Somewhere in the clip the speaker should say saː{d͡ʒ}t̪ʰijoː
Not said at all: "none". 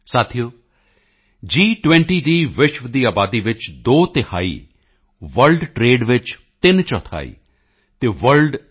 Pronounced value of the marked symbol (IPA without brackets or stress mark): none